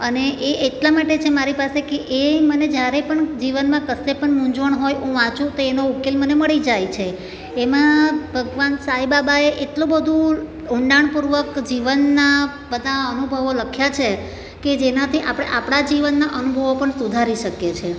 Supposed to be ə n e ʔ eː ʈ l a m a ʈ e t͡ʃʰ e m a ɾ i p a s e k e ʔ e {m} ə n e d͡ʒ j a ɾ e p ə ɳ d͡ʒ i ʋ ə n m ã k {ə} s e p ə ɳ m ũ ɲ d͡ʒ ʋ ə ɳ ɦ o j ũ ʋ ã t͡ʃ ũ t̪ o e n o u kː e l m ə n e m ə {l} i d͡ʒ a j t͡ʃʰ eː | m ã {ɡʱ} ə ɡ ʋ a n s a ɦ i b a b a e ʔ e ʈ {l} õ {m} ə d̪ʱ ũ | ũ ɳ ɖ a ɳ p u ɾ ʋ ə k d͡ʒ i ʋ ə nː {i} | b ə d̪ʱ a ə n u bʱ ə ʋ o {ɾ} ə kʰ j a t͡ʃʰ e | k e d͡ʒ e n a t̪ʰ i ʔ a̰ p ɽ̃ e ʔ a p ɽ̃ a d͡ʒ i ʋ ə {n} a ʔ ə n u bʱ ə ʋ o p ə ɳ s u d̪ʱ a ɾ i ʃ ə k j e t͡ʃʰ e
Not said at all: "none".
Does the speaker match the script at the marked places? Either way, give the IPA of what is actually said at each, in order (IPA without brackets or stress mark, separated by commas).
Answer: m, ə, ɭ, bʱ, l, b, a, l, nː